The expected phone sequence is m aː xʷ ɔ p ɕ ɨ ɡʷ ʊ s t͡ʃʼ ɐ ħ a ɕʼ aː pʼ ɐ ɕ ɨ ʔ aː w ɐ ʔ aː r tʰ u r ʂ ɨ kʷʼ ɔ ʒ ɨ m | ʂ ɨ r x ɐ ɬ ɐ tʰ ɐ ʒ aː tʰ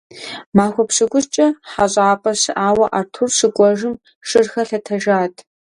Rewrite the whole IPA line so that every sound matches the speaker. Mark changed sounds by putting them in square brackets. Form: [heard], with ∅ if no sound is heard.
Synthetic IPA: m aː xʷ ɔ p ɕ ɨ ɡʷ ʊ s t͡ʃʼ ɐ ħ a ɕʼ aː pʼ ɐ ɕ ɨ ʔ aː w ɐ ʔ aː r tʰ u r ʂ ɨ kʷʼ ɔ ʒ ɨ m | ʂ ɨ r x ɐ ɬ ɐ tʰ ɐ ʒ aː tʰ